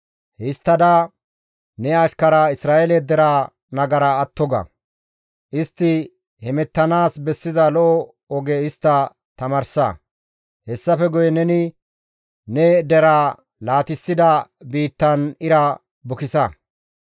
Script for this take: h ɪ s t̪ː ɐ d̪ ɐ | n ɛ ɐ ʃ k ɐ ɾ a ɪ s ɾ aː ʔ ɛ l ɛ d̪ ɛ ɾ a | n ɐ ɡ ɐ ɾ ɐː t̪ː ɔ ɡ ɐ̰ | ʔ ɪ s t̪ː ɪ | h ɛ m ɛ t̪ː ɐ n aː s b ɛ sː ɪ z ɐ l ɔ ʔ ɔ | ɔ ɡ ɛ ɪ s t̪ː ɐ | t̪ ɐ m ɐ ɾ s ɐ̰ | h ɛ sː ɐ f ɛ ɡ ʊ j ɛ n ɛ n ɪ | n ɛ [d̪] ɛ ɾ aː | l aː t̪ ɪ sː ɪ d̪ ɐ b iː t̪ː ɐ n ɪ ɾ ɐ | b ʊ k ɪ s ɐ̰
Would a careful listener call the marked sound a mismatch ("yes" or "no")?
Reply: no